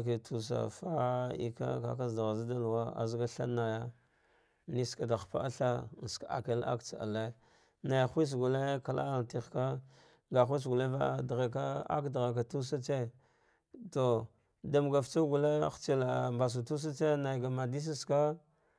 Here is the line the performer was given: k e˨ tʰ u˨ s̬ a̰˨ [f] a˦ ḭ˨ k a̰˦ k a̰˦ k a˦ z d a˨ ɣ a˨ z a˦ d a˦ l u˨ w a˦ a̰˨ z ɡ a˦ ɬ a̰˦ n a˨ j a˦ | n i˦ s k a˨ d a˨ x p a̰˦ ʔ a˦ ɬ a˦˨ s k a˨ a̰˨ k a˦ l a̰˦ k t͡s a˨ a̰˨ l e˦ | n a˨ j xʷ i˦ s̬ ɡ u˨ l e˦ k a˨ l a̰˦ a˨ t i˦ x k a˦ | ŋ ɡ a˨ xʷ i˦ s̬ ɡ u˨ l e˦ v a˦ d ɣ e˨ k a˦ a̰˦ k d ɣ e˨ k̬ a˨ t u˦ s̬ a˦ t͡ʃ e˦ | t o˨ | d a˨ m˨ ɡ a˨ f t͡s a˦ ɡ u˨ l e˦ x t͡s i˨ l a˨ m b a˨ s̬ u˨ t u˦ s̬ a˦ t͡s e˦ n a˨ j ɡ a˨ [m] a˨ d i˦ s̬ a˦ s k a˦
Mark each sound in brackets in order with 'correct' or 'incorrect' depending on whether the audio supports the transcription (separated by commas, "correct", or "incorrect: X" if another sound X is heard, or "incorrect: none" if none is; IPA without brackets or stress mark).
correct, correct